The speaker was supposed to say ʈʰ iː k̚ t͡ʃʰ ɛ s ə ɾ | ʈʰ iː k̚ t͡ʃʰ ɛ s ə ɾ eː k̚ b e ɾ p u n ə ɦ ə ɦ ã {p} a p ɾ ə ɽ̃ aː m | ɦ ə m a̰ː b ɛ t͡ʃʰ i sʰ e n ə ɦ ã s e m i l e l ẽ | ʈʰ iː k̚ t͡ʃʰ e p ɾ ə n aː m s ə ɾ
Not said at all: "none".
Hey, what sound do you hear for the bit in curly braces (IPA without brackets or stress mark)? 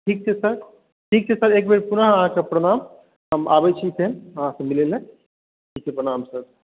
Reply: k